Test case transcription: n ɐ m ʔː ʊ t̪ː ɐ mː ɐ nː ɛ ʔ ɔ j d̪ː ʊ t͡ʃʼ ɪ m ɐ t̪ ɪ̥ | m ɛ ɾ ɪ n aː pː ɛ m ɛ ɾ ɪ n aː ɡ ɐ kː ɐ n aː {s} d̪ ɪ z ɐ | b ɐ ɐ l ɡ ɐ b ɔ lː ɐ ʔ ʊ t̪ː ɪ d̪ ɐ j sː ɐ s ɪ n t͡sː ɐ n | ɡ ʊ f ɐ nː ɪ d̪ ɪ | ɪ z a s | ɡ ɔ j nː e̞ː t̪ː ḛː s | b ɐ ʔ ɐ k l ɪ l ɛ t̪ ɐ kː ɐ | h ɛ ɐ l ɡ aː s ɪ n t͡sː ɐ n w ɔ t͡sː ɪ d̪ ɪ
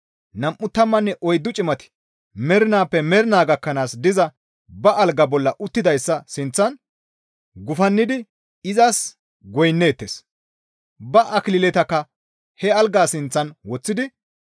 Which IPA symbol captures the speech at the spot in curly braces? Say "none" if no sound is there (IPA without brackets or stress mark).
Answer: s